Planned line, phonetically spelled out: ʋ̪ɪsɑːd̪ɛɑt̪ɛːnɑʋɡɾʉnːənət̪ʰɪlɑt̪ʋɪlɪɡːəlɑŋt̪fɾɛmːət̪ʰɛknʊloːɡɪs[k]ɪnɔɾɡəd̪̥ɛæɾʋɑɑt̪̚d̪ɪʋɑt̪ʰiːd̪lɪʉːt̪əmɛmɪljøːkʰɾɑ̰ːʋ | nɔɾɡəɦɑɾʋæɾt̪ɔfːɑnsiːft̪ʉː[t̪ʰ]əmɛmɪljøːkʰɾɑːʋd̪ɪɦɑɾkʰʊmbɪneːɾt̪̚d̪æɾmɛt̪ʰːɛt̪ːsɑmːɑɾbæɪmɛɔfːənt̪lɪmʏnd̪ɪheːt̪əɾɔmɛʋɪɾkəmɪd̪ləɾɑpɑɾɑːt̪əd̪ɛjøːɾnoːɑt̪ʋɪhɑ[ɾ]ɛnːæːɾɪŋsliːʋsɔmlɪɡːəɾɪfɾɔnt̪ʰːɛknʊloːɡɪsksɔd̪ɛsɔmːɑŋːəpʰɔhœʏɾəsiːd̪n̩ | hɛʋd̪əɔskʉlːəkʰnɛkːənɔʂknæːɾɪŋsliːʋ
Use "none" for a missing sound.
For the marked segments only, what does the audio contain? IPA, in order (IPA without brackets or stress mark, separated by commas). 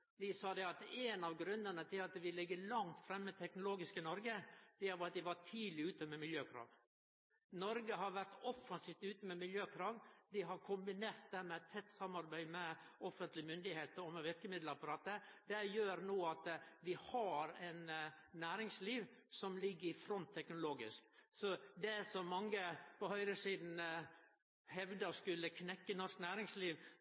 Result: k, t̪, ɾ